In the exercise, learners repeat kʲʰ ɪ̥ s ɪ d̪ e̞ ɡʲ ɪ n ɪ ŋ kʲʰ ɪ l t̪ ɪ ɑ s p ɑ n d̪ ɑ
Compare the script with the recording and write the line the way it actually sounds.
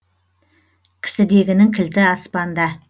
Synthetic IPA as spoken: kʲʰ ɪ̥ s ɪ d̪ e̞ ɡʲ ɪ n ɪ ŋ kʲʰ ɪ l t̪ ɪ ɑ s p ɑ n d̪ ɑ